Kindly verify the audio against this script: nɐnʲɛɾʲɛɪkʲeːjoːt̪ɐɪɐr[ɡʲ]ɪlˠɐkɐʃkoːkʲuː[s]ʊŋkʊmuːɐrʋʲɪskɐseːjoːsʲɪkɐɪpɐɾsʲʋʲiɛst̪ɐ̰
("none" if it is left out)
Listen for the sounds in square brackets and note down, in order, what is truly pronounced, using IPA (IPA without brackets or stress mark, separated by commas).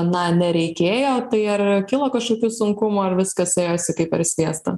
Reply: kʲ, s